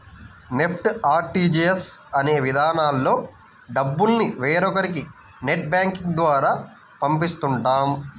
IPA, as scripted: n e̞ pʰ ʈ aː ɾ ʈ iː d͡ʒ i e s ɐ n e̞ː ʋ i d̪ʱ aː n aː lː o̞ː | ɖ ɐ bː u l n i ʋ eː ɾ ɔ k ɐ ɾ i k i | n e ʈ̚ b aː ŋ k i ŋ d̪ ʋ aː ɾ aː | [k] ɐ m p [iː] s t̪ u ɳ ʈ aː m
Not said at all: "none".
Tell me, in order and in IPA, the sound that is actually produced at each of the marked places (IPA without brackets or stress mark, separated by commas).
p, i